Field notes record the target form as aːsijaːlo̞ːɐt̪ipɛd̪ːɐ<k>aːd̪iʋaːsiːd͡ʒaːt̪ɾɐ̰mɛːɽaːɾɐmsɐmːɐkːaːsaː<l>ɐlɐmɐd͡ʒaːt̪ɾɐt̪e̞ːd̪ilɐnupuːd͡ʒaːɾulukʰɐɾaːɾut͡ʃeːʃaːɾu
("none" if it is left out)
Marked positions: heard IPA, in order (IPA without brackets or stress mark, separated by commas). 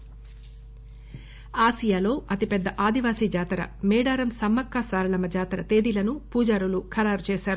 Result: ʔ, ɾ